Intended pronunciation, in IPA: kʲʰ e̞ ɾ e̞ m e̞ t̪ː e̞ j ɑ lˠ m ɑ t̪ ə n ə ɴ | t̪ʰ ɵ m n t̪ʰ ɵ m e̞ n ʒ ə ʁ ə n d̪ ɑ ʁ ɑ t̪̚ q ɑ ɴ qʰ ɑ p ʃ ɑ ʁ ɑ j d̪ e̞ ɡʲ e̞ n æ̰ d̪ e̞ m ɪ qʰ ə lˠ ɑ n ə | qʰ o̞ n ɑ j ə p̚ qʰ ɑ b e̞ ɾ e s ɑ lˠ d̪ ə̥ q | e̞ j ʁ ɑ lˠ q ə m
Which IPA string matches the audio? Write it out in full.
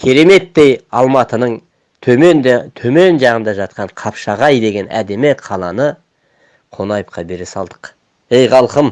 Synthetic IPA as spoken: kʲʰ e̞ ɾ e̞ m e̞ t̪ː e̞ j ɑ lˠ m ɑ t̪ ə n ə ɴ | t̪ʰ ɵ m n t̪ʰ ɵ m e̞ n ʒ ɑ ʁ ə n d̪ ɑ ʒ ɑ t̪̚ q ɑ ɴ qʰ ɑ p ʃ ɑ ʁ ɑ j d̪ e̞ ɡʲ e̞ n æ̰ d̪ e̞ m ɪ qʰ ɑ lˠ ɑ n ə | qʰ o̞ n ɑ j ə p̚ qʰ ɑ b e̞ ɾ e s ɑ lˠ d̪ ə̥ q | e̞ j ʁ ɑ lˠ q ə m